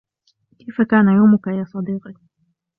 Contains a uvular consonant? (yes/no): yes